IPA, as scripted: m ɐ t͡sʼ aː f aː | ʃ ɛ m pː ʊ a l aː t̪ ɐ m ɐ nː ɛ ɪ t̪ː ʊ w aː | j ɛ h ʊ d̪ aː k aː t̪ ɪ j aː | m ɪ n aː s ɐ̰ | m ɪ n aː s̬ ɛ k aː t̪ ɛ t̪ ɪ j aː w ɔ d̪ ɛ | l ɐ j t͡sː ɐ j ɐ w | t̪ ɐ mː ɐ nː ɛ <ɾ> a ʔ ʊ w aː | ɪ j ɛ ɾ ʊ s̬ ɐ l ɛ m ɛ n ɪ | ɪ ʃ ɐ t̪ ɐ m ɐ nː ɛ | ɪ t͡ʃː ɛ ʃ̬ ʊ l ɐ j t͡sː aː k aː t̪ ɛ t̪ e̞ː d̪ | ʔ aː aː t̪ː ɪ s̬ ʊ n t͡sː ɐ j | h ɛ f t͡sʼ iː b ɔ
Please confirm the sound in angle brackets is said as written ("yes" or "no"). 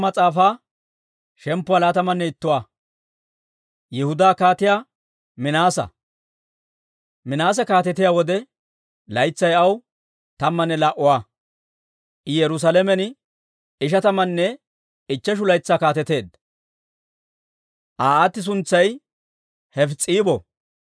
no